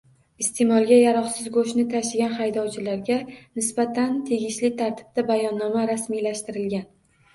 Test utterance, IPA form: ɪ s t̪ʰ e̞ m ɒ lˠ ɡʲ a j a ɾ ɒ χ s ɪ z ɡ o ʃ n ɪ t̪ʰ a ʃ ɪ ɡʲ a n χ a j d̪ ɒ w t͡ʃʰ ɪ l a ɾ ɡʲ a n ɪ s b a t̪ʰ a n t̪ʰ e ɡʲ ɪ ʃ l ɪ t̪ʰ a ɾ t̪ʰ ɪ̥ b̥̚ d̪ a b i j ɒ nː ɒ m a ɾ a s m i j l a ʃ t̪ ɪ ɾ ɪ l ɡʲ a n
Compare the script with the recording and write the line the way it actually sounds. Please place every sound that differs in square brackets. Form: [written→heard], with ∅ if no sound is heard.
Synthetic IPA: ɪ s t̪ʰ e̞ m ɒ lˠ ɡʲ a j a ɾ ɒ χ s ɪ z ɡ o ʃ n ɪ t̪ʰ a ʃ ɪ ɡʲ a n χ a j d̪ ɒ w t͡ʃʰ ɪ l a ɾ ɡʲ a n ɪ s b a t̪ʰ a n t̪ʰ e ɡʲ ɪ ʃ l ɪ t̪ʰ a ɾ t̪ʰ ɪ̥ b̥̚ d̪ a b [i→a] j ɒ nː ɒ m a ɾ a s m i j l a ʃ t̪ ɪ ɾ ɪ l ɡʲ a n